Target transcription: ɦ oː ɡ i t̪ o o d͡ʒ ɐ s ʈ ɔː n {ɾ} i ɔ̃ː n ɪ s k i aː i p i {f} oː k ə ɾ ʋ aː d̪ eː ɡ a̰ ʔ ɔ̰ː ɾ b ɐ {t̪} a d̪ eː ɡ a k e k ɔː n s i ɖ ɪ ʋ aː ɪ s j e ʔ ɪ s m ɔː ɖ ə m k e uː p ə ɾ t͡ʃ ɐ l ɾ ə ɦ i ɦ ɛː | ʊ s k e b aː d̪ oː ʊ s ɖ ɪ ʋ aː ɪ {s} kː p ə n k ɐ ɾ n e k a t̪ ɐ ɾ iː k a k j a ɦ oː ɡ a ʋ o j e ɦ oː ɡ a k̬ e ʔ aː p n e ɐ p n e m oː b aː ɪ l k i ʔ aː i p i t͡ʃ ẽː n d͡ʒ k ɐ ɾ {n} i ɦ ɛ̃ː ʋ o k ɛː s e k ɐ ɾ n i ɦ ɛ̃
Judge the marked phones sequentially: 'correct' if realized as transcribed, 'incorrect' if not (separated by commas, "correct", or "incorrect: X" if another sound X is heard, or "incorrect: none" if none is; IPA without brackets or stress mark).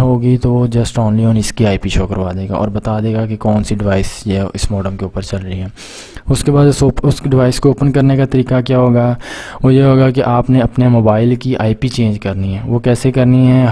incorrect: l, incorrect: ʃ, correct, correct, correct